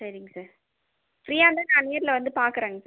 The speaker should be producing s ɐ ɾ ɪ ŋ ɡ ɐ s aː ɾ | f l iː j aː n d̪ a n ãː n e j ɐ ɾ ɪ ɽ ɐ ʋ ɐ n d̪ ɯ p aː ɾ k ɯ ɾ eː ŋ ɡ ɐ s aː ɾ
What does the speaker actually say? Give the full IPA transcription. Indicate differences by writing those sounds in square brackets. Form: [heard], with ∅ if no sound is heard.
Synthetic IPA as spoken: s ɐ ɾ ɪ ŋ ɡ ɐ s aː ɾ | f [ɾ] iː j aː n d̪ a n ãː n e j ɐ ɾ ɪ [l] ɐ ʋ ɐ n d̪ ɯ p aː ɾ k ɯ ɾ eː ŋ ɡ ɐ s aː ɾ